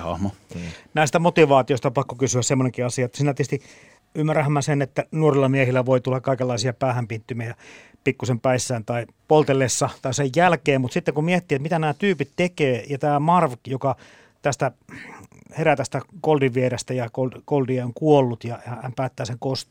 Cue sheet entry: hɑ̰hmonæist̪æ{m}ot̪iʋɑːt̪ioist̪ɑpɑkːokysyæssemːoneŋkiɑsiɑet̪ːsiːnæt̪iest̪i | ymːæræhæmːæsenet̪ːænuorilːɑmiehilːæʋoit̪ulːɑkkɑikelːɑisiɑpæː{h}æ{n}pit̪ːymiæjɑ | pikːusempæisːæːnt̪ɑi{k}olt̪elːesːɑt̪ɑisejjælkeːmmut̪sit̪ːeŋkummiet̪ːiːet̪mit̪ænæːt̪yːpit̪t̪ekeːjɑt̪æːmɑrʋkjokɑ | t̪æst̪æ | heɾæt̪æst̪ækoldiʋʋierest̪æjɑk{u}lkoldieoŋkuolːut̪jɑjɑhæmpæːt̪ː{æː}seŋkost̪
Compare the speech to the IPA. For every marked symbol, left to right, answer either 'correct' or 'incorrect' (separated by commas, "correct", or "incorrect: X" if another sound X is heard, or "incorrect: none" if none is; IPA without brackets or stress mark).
correct, correct, incorrect: m, incorrect: p, incorrect: o, correct